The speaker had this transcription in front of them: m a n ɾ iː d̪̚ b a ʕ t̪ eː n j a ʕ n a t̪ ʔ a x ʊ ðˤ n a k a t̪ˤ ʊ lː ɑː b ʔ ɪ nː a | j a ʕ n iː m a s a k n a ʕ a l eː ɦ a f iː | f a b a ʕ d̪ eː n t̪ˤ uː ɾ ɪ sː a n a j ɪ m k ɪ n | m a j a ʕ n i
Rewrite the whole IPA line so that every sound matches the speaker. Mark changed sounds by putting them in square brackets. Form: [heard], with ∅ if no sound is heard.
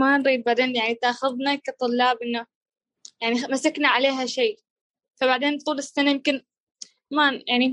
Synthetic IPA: m a n ɾ iː d̪̚ b a ʕ [d̪] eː n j a ʕ n [i] t̪ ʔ a x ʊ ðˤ n a k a t̪ˤ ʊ lː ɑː b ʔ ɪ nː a | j a ʕ n [i] m a s a k n a ʕ a l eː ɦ a [ʃ] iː | f a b a ʕ d̪ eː n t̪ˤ uː [l] ɪ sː a n a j ɪ m k ɪ n | m a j a ʕ n i